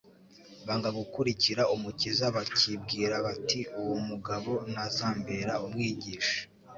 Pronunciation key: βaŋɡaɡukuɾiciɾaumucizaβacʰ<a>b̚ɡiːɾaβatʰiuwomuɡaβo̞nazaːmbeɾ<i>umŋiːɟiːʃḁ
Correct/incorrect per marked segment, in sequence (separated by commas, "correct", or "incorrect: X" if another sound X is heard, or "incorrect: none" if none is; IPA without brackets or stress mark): incorrect: i, incorrect: a